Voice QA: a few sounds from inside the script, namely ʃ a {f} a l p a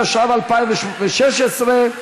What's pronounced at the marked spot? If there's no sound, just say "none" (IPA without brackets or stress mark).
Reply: v